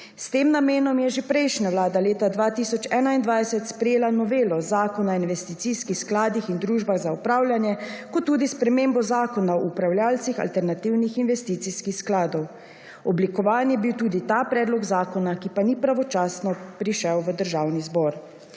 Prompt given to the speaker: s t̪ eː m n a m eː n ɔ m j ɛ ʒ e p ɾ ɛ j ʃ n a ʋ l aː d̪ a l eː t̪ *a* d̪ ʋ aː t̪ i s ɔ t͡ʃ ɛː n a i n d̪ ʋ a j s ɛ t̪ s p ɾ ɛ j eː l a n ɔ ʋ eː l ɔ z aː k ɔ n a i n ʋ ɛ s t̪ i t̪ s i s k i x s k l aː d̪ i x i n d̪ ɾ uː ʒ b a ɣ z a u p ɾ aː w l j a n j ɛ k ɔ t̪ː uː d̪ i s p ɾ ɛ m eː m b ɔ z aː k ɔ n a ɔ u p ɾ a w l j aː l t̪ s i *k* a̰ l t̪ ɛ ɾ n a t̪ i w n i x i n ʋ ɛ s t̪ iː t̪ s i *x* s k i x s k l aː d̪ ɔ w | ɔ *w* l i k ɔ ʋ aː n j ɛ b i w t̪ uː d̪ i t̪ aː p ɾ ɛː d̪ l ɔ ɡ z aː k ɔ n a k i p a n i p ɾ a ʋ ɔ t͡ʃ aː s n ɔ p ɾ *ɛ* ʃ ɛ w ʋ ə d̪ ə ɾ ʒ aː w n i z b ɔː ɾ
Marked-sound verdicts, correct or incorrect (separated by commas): correct, incorrect, correct, incorrect, incorrect